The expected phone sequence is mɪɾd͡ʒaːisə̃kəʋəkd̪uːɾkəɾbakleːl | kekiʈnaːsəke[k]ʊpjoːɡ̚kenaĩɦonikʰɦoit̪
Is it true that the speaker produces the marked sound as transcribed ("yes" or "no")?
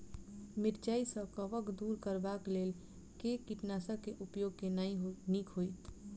no